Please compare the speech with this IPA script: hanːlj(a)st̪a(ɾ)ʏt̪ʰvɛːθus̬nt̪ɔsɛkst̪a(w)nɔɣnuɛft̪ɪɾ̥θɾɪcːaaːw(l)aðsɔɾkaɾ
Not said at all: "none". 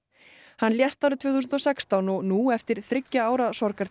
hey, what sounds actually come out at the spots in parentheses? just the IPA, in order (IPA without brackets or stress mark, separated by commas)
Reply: ɛ, ɾ, w, ɾ